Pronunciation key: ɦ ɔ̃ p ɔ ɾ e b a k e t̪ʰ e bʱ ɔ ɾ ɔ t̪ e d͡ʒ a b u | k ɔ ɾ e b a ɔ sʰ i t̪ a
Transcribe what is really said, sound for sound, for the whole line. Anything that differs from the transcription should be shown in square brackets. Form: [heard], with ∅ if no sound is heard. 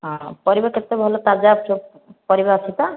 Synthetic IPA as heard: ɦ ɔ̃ p ɔ ɾ [i] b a k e [t̪] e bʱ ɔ [l] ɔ t̪ [a] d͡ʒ a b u | [p] ɔ ɾ [i] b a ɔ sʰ i t̪ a